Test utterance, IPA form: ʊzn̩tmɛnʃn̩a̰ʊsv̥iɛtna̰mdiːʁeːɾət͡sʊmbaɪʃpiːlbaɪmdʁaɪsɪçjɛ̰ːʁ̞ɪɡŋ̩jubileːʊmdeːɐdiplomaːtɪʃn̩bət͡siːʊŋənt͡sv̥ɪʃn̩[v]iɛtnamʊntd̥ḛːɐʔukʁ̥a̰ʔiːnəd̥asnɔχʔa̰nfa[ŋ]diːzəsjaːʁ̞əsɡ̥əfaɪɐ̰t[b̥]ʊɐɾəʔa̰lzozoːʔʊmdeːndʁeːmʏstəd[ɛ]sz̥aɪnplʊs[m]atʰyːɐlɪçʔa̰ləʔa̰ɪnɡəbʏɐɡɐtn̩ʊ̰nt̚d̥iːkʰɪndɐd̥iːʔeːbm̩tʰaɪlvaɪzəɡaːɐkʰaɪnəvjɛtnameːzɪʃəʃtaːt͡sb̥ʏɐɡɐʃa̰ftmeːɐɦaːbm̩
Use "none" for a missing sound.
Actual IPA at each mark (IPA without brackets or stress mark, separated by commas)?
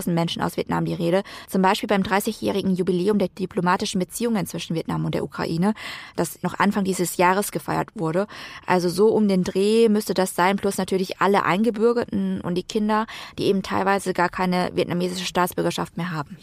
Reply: v, ŋ, v̥, a, n